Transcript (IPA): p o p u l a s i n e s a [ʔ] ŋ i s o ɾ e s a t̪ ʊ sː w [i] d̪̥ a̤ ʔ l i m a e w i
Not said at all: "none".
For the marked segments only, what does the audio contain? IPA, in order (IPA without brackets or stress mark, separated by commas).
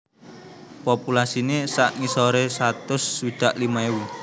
ʔ, i